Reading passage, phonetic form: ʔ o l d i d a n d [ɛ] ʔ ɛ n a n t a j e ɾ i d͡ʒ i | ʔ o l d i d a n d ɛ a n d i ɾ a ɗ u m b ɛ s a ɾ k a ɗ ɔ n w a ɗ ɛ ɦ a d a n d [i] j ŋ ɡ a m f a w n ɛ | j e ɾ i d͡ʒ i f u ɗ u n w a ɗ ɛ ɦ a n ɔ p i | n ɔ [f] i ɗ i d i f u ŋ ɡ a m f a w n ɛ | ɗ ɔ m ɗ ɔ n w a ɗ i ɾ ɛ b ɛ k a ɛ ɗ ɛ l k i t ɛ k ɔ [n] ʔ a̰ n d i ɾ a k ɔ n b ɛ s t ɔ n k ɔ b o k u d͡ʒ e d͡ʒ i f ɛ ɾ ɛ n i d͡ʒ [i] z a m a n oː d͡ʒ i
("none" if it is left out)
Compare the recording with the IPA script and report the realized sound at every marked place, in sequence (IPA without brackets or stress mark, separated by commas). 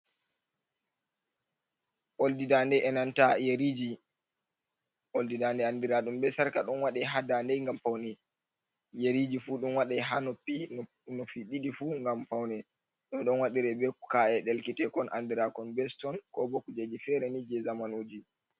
ɛ, ɛ, f, n, ɛ